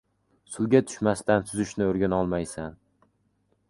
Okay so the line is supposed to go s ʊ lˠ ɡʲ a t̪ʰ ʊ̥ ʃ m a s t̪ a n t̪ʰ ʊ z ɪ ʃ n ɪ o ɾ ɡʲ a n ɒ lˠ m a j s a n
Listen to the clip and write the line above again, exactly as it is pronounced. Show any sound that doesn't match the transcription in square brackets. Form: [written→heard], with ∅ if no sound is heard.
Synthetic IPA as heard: s ʊ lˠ ɡʲ a t̪ʰ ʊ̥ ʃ m a s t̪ a n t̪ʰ ʊ z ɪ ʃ n ɪ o ɾ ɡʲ a n ɒ lˠ m a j s a n